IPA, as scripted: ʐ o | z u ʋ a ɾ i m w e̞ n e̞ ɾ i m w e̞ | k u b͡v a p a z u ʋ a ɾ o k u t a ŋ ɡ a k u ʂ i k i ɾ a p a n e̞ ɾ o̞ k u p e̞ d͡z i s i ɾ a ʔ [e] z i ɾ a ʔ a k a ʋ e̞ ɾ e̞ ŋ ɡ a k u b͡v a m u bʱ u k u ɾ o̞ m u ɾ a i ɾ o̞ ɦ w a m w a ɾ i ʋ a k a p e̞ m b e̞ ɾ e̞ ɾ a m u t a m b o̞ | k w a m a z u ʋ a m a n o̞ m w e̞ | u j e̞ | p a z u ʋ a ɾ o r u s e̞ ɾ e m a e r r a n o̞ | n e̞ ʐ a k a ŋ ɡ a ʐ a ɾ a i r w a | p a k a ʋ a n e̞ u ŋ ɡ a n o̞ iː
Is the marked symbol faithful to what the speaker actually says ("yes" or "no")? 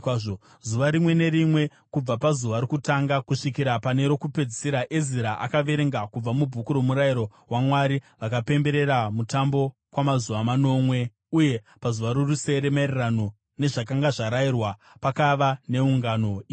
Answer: yes